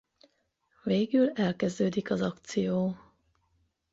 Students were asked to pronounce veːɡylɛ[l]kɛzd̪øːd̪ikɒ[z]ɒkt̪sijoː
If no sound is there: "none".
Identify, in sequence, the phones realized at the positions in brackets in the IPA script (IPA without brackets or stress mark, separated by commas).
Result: l, z